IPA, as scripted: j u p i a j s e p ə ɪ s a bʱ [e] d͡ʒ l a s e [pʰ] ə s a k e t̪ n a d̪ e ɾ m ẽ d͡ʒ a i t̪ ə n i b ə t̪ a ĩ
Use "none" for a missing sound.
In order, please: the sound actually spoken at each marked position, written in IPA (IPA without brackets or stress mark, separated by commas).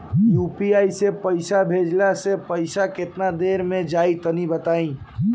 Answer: e, p